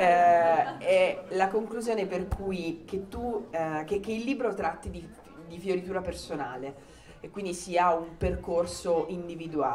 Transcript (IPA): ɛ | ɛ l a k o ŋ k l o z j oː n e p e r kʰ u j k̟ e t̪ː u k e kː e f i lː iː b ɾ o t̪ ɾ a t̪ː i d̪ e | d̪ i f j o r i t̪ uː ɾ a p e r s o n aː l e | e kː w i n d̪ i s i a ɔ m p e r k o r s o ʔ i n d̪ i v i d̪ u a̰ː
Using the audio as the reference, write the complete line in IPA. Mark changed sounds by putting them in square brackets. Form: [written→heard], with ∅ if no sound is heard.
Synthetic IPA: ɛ | ɛ l a k o ŋ k l [o→u] z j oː n e p e r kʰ u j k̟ e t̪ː u k e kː e [f→∅] i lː iː b ɾ o t̪ ɾ a t̪ː i d̪ [e→i] | d̪ i f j o [r→ɾ] i t̪ uː ɾ a p e r s o n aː l e | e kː w i n d̪ i s i a [ɔ→u] m p e r k o r s o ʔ i n d̪ i v i d̪ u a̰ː